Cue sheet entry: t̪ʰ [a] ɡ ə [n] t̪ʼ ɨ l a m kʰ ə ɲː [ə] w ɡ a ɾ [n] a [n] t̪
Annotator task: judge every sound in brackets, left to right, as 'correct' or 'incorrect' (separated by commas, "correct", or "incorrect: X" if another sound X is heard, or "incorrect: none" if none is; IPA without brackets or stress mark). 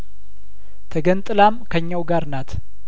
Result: incorrect: ə, correct, incorrect: a, correct, incorrect: none